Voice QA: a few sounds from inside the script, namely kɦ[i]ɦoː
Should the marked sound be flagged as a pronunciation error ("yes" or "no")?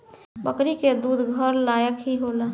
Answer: no